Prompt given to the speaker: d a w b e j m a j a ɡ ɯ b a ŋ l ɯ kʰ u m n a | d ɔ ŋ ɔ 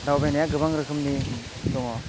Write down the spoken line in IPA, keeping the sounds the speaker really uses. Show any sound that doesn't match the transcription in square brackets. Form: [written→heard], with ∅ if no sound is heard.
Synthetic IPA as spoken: d a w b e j [m→n] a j a ɡ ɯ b a ŋ [l→ɾ] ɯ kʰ [u→ɯ] m n [a→i] | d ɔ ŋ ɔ